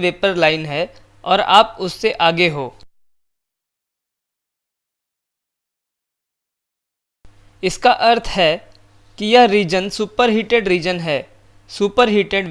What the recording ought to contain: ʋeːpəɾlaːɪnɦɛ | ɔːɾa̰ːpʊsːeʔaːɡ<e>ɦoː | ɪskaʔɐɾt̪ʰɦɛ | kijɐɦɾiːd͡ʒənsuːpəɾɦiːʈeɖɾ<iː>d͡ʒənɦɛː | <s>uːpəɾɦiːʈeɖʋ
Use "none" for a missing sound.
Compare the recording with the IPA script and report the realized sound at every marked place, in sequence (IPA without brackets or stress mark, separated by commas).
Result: e, iː, s